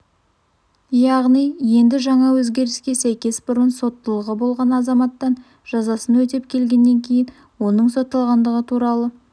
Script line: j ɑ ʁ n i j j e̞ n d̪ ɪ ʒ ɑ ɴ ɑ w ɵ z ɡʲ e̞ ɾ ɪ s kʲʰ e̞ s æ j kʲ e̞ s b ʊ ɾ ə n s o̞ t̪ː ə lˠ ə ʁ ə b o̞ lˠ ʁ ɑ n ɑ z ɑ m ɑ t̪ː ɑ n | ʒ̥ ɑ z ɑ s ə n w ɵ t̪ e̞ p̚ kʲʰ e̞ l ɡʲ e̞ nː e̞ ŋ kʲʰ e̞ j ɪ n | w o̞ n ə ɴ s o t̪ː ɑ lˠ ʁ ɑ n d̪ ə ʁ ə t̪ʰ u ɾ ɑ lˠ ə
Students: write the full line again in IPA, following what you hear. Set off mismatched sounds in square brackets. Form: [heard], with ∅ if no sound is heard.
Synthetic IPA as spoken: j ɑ ʁ n i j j e̞ n d̪ ɪ ʒ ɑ ɴ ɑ w ɵ z ɡʲ e̞ ɾ ɪ s [kʲ] e̞ s æ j kʲ e̞ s b ʊ ɾ ə n s o̞ t̪ː ə lˠ ə ʁ ə b o̞ lˠ ʁ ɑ n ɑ z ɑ m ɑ t̪ː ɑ n | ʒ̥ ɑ z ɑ s ə n w ɵ t̪ e̞ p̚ kʲʰ e̞ l ɡʲ e̞ nː e̞ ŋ kʲʰ e̞ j ɪ n | w o̞ n ə ɴ s o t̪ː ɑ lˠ ʁ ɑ n d̪ ə ʁ ə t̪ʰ u ɾ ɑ lˠ ə